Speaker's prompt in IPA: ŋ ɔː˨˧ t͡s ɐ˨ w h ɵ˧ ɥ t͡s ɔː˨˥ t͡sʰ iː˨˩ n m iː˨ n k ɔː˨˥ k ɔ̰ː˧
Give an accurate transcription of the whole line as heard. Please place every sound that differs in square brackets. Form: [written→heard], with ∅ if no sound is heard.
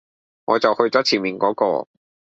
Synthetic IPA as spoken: ŋ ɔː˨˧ t͡s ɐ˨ w h ɵ˧ ɥ t͡s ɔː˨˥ t͡sʰ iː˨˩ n m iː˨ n k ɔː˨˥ k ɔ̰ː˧

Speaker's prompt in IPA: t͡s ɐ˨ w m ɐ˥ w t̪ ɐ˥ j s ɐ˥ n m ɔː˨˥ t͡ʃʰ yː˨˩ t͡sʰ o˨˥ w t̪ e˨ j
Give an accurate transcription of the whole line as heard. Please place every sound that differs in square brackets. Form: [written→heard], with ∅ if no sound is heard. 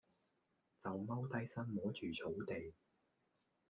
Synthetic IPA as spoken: t͡s ɐ˨ w m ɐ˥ w t̪ ɐ˥ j s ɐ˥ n m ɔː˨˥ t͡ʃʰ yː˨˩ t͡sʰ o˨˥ w t̪ e˨ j

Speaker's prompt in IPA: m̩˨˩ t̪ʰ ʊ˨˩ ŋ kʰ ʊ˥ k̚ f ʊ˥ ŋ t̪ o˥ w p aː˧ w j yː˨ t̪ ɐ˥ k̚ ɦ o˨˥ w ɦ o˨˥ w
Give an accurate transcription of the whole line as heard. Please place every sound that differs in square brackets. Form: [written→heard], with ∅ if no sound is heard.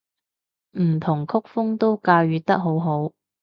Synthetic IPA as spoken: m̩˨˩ t̪ʰ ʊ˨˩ ŋ kʰ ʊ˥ k̚ f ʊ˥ ŋ t̪ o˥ w [p→k] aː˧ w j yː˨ t̪ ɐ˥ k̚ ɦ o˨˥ w ɦ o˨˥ w

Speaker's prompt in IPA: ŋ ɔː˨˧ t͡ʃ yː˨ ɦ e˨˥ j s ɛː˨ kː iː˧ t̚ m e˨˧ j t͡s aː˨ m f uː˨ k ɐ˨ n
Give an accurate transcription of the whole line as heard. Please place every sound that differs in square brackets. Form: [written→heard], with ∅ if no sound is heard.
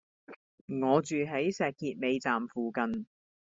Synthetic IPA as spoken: ŋ ɔː˨˧ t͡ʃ yː˨ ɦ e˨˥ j s ɛː˨ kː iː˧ t̚ m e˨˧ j t͡s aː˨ m f uː˨ k ɐ˨ n

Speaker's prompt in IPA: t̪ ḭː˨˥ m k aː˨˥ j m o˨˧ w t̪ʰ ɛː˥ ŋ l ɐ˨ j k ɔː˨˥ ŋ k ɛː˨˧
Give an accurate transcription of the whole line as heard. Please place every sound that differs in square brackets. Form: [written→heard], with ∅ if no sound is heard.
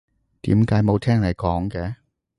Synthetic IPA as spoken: t̪ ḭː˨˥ m k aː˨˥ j m o˨˧ w t̪ʰ ɛː˥ ŋ l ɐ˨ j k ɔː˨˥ ŋ k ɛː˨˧

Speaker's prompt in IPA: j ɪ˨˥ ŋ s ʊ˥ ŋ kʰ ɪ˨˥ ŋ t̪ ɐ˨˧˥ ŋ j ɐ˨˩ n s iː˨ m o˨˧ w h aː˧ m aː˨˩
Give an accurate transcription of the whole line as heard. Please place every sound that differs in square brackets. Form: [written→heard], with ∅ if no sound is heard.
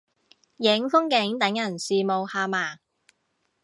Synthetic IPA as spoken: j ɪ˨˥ ŋ [s→f] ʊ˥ ŋ [kʰ→k] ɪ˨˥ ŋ t̪ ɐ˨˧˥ ŋ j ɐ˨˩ n s iː˨ m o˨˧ w h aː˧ m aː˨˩

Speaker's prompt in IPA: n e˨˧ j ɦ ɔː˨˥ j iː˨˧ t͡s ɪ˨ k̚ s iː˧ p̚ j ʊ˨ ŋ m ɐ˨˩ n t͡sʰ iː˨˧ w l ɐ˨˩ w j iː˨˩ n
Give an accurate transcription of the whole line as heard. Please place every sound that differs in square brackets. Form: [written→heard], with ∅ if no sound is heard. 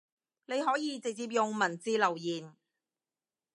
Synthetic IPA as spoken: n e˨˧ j ɦ ɔː˨˥ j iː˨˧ t͡s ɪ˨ k̚ [s→t͡s] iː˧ p̚ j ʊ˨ ŋ m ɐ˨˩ n [t͡sʰ→t͡s] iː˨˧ [w→∅] l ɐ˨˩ w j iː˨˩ n

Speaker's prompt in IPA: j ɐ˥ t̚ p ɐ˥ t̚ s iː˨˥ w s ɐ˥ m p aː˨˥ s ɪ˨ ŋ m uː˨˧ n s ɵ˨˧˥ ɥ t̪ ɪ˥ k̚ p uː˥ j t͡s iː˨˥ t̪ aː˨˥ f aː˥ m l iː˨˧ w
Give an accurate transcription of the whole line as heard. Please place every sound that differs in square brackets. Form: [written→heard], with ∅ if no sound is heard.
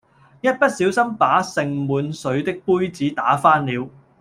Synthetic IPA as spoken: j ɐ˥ t̚ p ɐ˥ t̚ s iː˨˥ w s ɐ˥ m p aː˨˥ s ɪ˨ ŋ m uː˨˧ n s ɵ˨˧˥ ɥ t̪ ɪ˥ k̚ p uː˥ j t͡s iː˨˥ t̪ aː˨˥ f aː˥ [m→n] l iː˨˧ w

